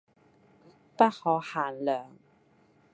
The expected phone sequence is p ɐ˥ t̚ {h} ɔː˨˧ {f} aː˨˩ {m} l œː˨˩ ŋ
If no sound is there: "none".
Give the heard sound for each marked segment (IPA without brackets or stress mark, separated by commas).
h, h, n